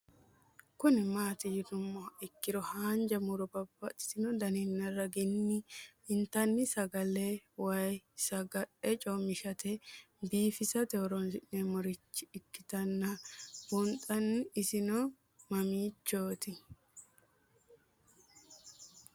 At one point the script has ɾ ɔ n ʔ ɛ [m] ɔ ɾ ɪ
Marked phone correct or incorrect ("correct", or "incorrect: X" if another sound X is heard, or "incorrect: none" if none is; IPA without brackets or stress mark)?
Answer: correct